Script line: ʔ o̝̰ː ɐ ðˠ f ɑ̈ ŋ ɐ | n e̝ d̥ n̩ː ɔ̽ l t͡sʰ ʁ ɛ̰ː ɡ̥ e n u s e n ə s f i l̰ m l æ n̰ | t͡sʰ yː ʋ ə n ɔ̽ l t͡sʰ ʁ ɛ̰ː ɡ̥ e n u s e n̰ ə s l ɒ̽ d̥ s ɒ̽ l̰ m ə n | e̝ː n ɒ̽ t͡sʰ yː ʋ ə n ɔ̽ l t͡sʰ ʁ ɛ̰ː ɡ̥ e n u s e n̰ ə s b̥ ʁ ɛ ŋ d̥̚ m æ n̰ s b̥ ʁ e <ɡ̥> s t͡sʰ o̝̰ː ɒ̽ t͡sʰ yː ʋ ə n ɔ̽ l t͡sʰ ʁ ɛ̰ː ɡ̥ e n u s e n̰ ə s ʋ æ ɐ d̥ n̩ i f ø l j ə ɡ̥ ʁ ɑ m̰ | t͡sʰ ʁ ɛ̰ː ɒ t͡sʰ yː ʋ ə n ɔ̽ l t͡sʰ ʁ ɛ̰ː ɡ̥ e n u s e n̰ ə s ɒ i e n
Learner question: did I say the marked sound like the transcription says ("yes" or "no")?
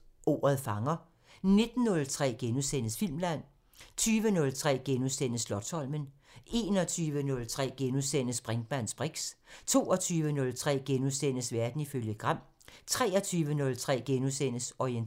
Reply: yes